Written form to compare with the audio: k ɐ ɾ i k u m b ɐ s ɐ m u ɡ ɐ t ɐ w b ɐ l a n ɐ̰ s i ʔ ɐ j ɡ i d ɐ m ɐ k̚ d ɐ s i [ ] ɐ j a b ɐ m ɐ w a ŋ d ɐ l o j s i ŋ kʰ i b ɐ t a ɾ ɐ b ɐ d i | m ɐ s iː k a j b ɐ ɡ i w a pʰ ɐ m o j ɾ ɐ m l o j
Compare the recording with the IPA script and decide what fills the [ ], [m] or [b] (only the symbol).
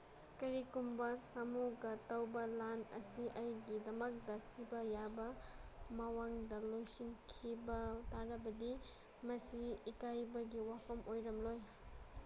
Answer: b